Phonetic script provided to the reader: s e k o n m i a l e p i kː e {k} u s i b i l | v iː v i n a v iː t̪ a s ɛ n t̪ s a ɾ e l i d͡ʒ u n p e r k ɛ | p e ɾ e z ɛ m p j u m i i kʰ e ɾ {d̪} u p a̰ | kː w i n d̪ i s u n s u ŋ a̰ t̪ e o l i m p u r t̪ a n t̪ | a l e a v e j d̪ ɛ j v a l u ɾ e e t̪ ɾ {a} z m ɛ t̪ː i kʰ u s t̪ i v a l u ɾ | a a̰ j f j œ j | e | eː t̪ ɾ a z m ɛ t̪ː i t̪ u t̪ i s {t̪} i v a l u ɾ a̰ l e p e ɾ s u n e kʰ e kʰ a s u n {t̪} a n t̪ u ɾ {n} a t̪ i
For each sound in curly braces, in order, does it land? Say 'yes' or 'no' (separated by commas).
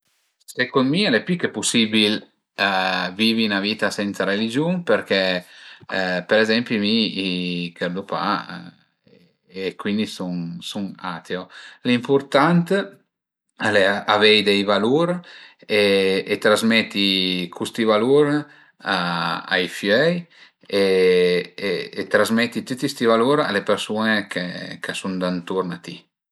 no, yes, yes, yes, no, yes